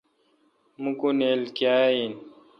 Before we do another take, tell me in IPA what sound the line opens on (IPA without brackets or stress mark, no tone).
m